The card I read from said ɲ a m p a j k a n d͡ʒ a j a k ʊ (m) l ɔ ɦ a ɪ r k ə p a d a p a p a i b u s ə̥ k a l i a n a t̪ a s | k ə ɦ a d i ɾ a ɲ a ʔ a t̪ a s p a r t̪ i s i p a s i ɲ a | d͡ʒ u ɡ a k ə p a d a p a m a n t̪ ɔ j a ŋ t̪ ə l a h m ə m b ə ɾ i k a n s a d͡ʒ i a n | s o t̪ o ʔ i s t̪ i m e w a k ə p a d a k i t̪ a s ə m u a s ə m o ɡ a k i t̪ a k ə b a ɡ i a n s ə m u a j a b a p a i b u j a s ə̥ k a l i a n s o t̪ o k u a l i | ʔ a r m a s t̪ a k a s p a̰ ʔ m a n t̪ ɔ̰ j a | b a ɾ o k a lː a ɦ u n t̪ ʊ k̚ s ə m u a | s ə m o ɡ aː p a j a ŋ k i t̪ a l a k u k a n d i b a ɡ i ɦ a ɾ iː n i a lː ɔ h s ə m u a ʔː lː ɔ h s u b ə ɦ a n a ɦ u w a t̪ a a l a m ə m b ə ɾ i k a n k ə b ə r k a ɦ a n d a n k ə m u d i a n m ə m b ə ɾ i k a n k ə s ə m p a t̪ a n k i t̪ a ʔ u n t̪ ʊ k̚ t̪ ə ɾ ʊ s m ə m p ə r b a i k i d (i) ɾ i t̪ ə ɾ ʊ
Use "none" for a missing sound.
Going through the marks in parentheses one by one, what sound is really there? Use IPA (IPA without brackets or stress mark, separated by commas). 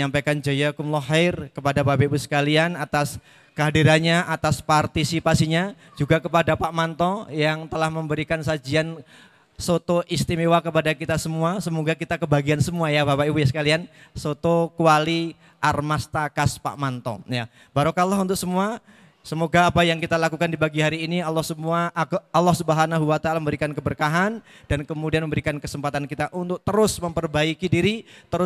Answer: m, i